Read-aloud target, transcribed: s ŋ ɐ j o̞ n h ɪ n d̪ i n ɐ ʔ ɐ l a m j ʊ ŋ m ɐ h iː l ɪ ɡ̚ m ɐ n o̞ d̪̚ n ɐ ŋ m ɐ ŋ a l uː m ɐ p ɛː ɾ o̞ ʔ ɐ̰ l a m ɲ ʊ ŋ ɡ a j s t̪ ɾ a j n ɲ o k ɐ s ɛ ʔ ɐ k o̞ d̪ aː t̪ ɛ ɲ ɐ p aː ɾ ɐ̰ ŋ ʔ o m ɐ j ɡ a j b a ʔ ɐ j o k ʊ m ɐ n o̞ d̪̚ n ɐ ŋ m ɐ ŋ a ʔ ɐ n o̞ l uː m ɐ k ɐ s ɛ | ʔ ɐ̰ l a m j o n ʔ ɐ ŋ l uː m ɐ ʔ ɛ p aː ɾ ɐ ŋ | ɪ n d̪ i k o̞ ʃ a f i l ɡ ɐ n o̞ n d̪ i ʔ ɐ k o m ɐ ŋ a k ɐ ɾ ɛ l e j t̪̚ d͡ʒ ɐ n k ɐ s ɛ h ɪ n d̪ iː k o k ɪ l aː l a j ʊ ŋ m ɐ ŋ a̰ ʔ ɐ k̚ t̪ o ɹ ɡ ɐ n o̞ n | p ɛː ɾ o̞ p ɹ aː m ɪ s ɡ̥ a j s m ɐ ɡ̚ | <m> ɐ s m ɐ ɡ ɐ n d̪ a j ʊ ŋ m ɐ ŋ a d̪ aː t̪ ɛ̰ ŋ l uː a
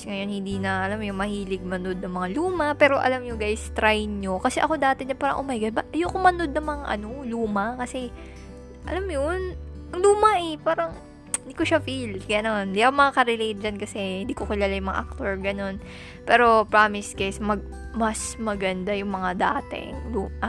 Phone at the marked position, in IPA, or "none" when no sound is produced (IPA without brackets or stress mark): m